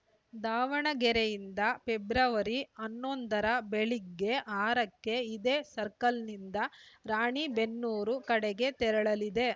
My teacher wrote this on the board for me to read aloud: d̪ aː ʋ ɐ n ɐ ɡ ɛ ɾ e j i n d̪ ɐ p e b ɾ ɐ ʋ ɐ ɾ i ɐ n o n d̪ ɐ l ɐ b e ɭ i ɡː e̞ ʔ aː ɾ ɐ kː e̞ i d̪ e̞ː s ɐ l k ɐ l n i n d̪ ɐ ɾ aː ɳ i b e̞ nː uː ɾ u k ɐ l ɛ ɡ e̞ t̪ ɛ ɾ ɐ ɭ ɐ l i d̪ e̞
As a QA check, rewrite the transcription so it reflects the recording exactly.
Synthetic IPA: d̪ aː ʋ ɐ ɳ ɐ ɡ ɛ ɾ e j i n d̪ ɐ p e b ɾ ɐ ʋ ɐ ɾ i ɐ nː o n d̪ ɐ ɾ ɐ b e ɭ i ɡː e̞ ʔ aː ɾ ɐ kː e̞ i d̪ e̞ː s ɐ ɾ k ɐ l n i n d̪ ɐ ɾ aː ɳ i b e̞ nː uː ɾ u k ɐ ɽ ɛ ɡ e̞ t̪ ɛ ɾ ɐ ɭ ɐ l i d̪ e̞